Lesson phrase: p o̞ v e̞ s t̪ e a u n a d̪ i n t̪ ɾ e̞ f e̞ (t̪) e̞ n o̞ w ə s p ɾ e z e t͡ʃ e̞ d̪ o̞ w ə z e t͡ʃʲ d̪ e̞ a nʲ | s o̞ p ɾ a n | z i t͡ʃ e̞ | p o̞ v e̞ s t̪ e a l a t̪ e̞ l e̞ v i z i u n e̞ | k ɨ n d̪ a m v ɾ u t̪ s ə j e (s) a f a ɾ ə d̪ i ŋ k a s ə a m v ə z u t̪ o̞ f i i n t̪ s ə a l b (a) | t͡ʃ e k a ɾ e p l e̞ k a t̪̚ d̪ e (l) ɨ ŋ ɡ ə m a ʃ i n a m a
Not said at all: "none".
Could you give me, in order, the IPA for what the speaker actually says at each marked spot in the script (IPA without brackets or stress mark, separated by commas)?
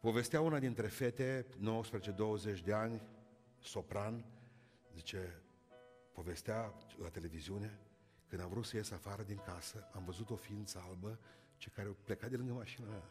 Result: t̪, s, ə, l